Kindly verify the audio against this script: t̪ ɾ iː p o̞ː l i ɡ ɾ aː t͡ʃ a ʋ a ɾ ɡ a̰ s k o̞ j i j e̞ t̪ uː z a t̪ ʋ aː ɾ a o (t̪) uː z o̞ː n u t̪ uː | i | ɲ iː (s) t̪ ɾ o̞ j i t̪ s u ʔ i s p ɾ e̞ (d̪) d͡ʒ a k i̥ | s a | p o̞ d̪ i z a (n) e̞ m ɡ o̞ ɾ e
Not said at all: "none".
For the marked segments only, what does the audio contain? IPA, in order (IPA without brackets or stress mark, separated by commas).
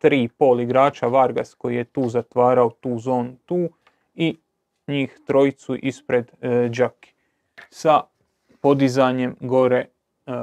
t̪, x, d̪, ɲ